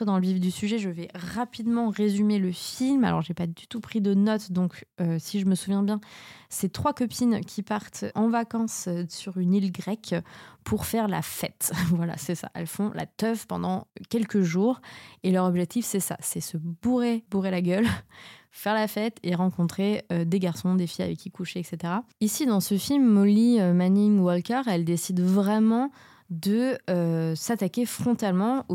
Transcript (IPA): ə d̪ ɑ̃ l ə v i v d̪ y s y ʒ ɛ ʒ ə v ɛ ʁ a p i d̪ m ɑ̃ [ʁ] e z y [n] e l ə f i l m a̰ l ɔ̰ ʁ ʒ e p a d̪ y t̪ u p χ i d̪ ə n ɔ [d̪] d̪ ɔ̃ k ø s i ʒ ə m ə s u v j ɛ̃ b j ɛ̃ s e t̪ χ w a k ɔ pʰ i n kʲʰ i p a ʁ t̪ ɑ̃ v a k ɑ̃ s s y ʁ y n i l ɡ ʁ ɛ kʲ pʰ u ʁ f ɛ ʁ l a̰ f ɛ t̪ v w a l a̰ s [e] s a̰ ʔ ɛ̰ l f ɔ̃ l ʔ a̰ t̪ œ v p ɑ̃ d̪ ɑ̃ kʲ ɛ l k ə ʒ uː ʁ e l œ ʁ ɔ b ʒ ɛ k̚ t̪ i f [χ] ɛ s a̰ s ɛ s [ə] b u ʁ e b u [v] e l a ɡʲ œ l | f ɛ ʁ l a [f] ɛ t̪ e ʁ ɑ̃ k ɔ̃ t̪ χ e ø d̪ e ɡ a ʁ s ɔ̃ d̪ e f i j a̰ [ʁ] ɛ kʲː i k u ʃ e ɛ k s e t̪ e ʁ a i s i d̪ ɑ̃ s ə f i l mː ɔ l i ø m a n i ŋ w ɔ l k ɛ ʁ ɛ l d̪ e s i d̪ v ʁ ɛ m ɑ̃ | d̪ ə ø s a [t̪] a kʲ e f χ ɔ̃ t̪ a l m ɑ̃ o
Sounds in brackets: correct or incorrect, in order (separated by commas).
correct, incorrect, incorrect, incorrect, incorrect, correct, incorrect, correct, incorrect, correct